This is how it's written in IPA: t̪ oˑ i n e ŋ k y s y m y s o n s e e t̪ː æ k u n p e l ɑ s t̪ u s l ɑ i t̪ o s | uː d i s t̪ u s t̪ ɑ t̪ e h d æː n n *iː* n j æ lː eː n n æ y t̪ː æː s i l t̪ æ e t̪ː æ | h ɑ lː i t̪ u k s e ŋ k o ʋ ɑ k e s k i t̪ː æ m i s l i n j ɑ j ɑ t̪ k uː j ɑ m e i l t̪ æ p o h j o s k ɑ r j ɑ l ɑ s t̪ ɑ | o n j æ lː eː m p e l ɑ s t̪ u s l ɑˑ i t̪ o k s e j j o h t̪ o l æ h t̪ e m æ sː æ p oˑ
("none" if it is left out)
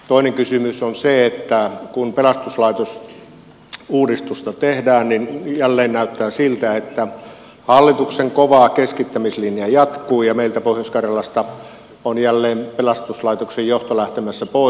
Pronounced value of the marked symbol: i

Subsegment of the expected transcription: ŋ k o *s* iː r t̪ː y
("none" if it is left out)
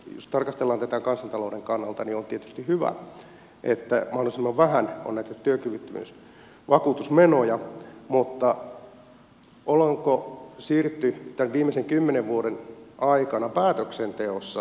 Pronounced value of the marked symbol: s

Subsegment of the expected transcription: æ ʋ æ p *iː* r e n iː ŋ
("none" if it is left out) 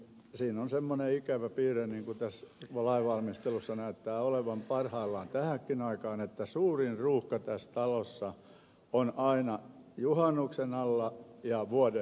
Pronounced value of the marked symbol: iː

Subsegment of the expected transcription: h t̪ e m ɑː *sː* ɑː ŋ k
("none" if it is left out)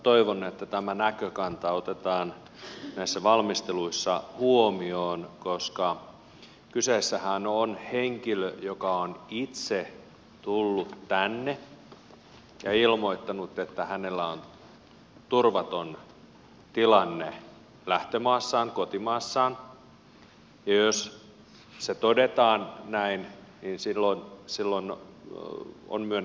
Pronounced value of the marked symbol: sː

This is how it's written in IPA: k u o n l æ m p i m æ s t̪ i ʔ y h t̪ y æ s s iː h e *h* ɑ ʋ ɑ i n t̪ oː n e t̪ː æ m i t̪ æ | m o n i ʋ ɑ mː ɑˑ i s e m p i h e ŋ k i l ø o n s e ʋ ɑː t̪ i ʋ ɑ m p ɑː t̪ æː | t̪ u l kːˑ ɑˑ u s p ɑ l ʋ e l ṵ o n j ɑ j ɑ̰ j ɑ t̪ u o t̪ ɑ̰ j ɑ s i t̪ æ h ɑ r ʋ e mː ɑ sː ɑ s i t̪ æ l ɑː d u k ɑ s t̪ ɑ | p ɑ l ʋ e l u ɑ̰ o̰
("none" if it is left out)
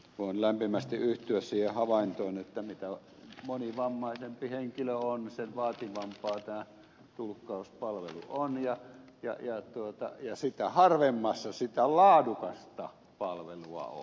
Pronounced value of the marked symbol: h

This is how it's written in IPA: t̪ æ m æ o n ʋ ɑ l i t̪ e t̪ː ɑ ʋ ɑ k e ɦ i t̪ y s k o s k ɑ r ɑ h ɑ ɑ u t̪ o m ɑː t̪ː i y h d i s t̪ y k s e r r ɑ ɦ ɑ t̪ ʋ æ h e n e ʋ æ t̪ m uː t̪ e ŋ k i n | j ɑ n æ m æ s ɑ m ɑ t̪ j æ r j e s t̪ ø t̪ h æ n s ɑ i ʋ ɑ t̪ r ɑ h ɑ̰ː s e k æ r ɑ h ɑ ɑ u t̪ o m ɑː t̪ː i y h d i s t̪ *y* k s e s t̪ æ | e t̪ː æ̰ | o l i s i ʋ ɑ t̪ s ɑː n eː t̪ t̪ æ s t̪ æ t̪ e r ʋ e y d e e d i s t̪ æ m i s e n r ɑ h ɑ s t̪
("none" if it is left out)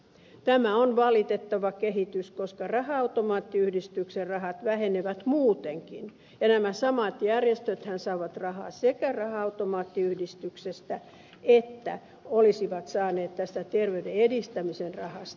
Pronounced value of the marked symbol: y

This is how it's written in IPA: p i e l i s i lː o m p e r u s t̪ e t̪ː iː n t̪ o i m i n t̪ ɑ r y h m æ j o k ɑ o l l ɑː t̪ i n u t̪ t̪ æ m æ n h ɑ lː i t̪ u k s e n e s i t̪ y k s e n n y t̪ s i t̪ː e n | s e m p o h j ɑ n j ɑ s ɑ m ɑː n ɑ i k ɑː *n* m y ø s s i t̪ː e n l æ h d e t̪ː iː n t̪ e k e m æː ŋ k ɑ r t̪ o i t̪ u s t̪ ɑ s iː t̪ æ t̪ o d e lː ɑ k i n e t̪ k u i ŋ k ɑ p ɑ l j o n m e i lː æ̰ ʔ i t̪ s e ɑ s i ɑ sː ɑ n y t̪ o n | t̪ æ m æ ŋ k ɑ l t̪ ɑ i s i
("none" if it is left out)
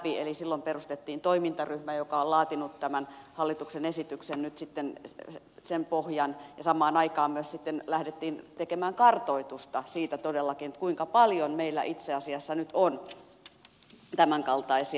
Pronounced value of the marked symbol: m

